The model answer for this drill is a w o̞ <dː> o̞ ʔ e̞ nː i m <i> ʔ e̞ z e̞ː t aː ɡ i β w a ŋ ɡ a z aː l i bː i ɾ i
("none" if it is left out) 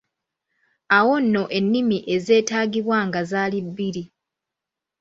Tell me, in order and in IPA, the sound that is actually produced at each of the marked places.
nː, i

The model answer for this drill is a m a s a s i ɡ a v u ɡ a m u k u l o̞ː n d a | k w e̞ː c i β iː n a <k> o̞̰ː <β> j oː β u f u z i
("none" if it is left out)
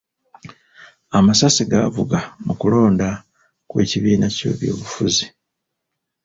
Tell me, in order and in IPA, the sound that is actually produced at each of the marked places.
c, β

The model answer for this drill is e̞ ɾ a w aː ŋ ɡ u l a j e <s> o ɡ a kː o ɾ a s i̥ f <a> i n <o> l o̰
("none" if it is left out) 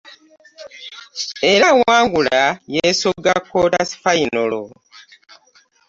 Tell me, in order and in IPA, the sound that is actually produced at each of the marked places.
s, a, o

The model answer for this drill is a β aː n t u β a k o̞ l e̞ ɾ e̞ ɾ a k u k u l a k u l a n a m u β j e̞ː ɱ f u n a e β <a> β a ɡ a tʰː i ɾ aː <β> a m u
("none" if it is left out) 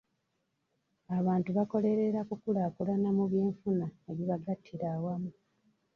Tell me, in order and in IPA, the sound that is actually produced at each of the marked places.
i, w

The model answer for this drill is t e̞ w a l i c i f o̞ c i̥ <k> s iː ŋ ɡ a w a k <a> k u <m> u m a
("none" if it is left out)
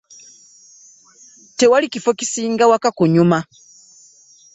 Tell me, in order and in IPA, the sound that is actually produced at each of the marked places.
none, a, ɲ

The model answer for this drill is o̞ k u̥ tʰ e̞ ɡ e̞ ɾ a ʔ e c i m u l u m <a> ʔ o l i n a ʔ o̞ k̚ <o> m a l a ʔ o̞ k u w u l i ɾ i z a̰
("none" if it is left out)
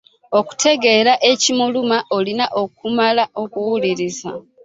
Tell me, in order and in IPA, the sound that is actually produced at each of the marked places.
a, u

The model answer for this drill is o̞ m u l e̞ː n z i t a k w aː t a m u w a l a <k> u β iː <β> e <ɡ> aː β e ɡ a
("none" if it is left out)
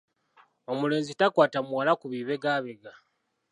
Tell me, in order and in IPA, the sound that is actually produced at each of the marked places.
k, β, ɡ

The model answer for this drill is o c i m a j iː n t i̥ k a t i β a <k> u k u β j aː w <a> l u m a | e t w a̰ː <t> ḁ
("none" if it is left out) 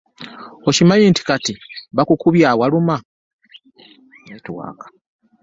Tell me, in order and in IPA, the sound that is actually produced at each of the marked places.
k, a, k

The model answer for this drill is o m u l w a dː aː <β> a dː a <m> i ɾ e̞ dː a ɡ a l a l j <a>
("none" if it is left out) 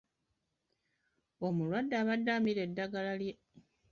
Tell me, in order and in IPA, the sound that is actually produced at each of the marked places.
β, m, e

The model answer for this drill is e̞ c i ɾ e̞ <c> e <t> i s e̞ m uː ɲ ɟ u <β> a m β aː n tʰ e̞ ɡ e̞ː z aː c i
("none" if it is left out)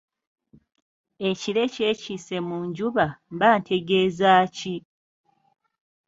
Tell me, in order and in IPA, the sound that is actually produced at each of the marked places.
c, c, β

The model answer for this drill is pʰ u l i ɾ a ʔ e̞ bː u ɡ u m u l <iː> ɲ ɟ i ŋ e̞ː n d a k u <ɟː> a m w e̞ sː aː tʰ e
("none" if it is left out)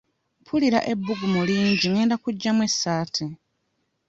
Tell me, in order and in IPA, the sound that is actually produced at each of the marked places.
iː, ɟː

